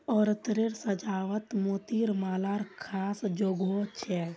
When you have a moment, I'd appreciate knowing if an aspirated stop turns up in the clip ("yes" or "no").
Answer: yes